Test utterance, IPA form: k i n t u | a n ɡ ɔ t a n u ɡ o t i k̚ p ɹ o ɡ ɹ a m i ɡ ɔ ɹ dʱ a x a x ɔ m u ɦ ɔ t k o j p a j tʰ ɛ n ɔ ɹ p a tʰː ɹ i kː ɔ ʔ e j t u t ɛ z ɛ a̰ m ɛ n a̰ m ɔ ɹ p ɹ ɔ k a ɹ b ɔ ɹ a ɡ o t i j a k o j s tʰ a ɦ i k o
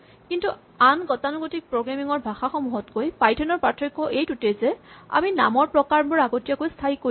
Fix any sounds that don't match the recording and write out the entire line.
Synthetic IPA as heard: k i n t u | a n ɡ ɔ t a n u ɡ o t i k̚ p ɹ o ɡ ɹ a m i ŋ ɔ ɹ bʱ a x a x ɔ m u ɦ ɔ t k o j p a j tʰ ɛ n ɔ ɹ p a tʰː ɹ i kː ɔ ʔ e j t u t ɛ z ɛ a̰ m i n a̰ m ɔ ɹ p ɹ ɔ k a ɹ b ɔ ɹ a ɡ o t i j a k o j s tʰ a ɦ i k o